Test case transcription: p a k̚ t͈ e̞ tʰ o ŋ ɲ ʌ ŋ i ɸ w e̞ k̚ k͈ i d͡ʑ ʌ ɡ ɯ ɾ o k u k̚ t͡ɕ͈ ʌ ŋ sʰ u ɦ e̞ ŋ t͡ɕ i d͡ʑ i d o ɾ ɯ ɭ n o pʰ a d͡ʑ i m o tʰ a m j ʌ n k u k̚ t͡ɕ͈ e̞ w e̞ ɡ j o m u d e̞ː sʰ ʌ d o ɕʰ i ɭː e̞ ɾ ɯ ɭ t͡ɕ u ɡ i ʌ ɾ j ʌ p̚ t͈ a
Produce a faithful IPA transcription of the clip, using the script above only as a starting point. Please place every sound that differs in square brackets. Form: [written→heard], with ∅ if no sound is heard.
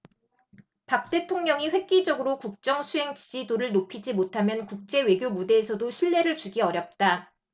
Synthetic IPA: p a k̚ t͈ e̞ tʰ o ŋ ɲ ʌ ŋ i ɸ w e̞ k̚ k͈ i d͡ʑ ʌ ɡ ɯ ɾ o k u k̚ t͡ɕ͈ ʌ ŋ sʰ u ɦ e̞ ŋ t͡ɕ i d͡ʑ i d o ɾ ɯ ɭ n o pʰ [a→i] d͡ʑ i m o tʰ a m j ʌ n k u k̚ t͡ɕ͈ e̞ w e̞ ɡ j o m u d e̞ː sʰ ʌ d o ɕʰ i ɭː e̞ ɾ ɯ ɭ t͡ɕ u ɡ i ʌ ɾ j ʌ p̚ t͈ a